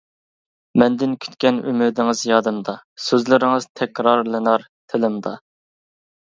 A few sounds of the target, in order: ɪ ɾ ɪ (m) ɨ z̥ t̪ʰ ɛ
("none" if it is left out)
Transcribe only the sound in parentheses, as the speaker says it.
ŋ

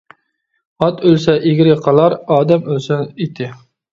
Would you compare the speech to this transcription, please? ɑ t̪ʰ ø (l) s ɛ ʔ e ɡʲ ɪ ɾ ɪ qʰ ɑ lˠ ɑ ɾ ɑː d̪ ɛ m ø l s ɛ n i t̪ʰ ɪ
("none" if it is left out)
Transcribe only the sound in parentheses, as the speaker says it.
l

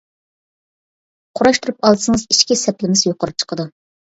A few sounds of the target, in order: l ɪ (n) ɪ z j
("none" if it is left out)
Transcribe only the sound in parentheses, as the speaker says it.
m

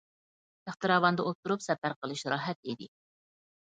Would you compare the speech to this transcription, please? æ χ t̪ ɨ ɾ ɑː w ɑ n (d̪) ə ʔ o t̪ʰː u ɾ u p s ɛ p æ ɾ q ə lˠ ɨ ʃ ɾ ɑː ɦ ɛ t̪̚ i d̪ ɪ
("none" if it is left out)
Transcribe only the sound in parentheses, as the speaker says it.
d̪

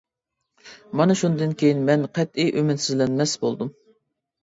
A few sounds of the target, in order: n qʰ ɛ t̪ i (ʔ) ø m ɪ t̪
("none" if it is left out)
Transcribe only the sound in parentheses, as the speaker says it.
ʔ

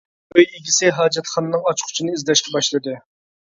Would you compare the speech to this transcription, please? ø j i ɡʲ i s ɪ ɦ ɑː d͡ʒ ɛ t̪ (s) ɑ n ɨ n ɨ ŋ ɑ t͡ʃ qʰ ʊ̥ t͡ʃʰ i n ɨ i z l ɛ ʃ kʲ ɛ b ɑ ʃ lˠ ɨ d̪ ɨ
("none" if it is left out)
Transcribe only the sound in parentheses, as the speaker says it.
χ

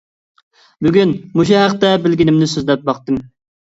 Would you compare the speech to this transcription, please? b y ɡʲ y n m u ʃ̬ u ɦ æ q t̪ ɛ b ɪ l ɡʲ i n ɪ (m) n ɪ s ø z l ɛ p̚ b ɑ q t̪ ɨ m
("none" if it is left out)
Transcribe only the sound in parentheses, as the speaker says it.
m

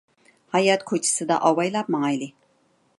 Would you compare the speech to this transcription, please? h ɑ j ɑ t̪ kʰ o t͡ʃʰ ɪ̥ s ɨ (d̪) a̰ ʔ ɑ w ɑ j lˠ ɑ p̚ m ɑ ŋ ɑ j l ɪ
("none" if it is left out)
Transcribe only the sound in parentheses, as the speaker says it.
d̪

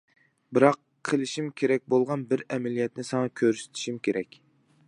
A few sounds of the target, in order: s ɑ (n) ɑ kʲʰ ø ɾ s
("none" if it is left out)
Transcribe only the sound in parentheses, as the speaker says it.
ŋ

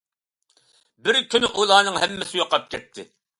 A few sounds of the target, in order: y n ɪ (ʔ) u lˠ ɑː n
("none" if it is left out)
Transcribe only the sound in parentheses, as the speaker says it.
ʔ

